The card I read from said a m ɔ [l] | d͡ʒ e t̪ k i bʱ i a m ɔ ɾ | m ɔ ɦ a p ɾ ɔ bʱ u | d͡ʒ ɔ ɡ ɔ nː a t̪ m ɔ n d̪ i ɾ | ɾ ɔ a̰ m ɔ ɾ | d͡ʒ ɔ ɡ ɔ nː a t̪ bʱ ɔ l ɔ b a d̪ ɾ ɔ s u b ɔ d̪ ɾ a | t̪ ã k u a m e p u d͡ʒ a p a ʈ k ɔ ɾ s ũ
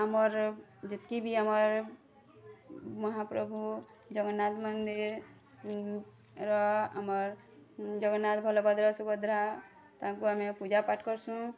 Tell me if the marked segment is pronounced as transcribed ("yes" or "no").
no